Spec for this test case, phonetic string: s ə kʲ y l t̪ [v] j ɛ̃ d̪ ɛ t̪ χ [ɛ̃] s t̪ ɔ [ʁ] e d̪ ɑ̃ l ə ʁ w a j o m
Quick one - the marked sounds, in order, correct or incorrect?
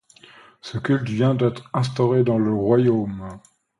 correct, correct, correct

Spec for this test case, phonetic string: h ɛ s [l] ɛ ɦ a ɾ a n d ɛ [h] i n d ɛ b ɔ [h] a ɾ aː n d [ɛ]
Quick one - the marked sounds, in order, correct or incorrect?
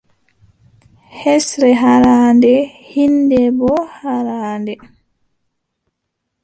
incorrect: ɾ, correct, correct, correct

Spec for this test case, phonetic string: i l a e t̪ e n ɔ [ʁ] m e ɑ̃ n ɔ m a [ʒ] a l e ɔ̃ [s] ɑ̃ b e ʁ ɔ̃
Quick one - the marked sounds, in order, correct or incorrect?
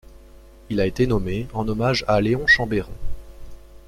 incorrect: none, correct, incorrect: ʃ

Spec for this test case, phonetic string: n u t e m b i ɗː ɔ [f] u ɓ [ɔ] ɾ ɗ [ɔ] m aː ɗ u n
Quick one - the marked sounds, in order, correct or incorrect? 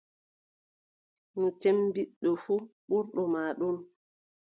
correct, incorrect: u, correct

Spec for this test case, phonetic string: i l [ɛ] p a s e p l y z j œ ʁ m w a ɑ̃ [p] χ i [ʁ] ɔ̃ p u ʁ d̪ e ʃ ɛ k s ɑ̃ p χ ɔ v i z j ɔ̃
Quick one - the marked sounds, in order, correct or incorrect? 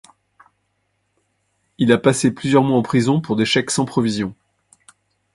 incorrect: a, correct, incorrect: z

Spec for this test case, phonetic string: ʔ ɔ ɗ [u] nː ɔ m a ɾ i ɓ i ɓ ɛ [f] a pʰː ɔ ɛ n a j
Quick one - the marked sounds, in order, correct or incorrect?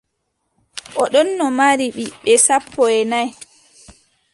incorrect: ɔ, incorrect: s

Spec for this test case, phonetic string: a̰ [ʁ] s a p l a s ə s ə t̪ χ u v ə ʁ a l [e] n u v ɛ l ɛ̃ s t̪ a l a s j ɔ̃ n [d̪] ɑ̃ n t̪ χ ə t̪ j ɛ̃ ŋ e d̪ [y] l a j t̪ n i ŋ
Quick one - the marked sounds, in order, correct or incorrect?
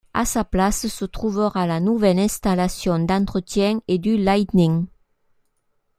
incorrect: none, incorrect: a, correct, correct

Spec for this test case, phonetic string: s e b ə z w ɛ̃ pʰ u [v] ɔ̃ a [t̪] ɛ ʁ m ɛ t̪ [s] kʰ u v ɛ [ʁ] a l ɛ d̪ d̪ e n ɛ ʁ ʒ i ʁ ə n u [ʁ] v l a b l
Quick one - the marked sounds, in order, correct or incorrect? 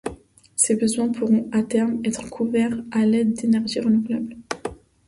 incorrect: ʁ, correct, incorrect: χ, correct, incorrect: none

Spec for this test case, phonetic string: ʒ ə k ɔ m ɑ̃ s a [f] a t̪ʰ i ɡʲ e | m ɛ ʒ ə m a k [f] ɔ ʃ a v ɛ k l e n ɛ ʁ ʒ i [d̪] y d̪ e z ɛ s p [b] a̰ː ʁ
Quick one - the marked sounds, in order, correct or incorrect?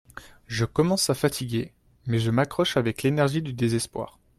correct, incorrect: χ, correct, incorrect: w

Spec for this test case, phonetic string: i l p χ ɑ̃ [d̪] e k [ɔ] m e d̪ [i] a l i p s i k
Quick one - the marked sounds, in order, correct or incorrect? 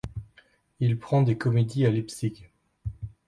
correct, correct, correct

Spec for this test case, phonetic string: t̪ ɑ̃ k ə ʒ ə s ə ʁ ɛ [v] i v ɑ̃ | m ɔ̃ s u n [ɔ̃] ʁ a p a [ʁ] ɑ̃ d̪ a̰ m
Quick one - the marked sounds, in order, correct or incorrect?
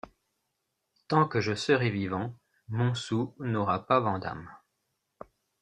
correct, incorrect: ɔ, incorrect: v

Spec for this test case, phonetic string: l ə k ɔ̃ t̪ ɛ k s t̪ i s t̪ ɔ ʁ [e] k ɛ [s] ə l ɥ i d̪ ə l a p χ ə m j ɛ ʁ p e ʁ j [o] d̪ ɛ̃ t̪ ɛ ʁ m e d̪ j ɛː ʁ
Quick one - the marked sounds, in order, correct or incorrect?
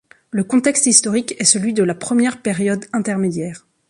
incorrect: i, correct, incorrect: ɔ

